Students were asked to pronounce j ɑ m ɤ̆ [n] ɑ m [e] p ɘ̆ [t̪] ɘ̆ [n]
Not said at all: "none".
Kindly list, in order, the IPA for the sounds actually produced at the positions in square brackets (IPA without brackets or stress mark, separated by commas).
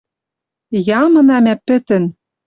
n, æ, t̪, n